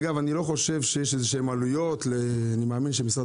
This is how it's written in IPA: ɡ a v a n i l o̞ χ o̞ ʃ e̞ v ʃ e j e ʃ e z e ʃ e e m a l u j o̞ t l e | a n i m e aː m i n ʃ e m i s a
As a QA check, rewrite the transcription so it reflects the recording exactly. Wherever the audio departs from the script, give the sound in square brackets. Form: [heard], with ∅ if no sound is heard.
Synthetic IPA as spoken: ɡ a v a n i l o̞ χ o̞ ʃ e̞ v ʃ e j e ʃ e z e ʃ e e m a l u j o̞ t l e | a n i m e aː m i n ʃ e m i s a